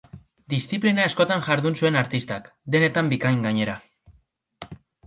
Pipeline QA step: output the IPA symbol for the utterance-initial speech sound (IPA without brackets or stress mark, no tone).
d̪